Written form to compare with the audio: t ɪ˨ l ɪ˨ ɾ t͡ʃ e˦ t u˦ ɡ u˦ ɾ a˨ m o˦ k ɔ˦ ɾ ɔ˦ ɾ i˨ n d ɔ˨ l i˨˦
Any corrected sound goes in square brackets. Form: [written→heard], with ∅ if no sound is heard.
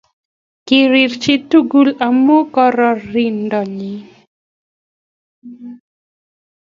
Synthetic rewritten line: [t→k] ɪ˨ [l→ɾ] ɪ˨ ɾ t͡ʃ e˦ t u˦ ɡ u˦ [ɾ→l] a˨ m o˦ k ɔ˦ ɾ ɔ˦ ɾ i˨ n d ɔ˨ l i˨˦